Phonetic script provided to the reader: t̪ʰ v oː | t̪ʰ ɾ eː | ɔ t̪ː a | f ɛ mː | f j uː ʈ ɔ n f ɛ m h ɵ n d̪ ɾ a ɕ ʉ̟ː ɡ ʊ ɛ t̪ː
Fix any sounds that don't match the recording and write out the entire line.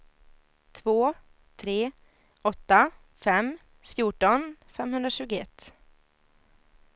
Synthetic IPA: t̪ʰ v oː | t̪ʰ ɾ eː | ɔ t̪ː a | f ɛ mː | f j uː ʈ ɔ n f ɛ m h ɵ n d̪ ɾ a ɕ ʉ̟ː ɡ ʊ ɛ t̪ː